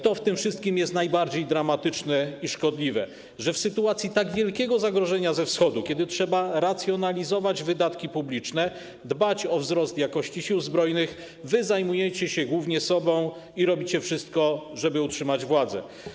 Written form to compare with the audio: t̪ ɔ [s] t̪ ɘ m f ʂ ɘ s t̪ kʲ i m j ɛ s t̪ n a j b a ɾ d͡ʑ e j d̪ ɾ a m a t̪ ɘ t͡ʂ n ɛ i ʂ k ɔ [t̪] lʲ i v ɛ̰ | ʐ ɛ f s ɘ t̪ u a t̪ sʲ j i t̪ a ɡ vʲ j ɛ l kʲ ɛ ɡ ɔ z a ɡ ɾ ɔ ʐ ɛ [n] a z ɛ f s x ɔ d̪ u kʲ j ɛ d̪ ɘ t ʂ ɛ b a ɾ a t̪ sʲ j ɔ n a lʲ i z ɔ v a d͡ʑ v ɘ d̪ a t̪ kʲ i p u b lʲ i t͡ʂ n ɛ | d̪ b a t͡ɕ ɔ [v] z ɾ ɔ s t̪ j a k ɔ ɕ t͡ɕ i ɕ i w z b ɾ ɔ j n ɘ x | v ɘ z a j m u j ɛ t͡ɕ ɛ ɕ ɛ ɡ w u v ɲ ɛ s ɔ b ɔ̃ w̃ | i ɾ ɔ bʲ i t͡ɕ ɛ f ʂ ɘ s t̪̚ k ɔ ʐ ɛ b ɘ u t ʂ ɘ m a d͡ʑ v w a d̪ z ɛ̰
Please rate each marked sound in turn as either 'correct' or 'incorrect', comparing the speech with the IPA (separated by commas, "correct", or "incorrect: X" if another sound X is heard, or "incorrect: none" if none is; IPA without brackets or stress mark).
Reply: incorrect: f, incorrect: d̪, incorrect: ɲ, correct